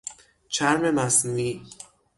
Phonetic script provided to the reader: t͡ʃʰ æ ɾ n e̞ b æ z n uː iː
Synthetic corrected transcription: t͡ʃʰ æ ɾ m e̞ m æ s n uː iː